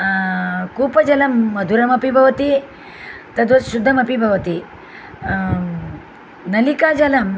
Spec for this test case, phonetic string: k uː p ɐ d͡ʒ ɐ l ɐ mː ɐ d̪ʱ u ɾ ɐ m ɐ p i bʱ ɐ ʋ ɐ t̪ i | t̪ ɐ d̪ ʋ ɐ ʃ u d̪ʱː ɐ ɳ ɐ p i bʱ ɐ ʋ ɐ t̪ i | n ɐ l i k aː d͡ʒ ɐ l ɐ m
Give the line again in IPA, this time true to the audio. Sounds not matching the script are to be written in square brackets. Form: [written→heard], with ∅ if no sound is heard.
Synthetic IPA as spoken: k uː p ɐ d͡ʒ ɐ l ɐ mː ɐ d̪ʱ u ɾ ɐ m ɐ p i bʱ ɐ ʋ ɐ t̪ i | t̪ ɐ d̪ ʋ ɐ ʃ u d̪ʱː ɐ [ɳ→m] ɐ p i bʱ ɐ ʋ ɐ t̪ i | n ɐ l i k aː d͡ʒ ɐ l ɐ m